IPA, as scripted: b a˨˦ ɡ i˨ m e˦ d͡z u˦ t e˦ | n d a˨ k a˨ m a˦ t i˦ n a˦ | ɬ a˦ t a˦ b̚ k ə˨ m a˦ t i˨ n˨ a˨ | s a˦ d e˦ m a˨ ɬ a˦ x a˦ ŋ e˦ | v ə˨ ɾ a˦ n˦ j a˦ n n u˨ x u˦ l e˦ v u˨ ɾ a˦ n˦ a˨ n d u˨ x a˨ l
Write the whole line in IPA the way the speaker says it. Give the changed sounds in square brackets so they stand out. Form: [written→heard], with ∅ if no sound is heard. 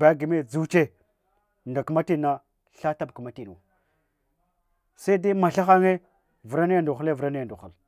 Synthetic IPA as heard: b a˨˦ ɡ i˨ m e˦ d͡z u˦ [t→t͡ʃ] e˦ | n d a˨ k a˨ m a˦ t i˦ n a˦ | ɬ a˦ t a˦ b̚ k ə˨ m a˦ t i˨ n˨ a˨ | s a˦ d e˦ m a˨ ɬ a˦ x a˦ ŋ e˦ | v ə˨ ɾ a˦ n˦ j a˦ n [n→d] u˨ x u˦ l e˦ v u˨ ɾ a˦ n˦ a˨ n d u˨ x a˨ l